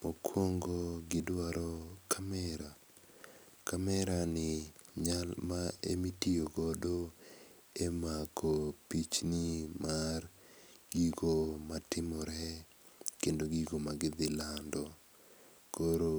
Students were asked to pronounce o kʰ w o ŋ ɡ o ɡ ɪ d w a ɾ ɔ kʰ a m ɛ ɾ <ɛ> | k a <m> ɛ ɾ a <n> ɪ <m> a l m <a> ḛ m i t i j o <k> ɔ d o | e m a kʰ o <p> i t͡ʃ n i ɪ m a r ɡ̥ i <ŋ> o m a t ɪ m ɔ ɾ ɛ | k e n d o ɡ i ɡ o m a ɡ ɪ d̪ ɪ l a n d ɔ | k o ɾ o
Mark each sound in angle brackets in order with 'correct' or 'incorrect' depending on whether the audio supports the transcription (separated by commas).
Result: incorrect, correct, correct, incorrect, correct, incorrect, correct, incorrect